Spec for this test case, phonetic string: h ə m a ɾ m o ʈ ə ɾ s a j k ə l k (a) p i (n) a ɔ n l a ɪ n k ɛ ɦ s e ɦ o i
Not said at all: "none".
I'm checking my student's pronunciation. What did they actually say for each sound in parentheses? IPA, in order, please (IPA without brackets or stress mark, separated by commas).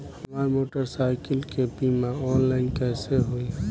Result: e, m